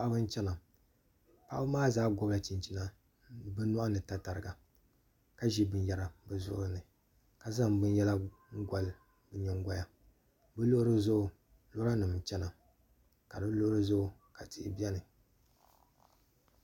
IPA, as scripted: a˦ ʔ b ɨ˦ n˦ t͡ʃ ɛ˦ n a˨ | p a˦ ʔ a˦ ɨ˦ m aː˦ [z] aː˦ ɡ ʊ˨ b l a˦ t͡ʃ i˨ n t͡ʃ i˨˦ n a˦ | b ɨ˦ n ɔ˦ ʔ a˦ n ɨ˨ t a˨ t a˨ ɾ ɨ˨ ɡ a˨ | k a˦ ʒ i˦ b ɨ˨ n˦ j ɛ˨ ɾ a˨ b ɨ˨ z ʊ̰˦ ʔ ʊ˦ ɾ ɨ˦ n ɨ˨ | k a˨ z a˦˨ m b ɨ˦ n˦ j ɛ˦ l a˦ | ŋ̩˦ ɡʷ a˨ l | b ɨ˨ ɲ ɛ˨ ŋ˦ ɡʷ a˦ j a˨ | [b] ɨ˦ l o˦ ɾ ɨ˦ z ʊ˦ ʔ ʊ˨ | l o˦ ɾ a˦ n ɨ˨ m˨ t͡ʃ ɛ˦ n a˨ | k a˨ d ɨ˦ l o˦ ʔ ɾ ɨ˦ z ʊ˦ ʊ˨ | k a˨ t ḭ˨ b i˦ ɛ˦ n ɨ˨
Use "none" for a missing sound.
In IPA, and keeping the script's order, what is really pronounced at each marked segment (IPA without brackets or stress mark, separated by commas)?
z, b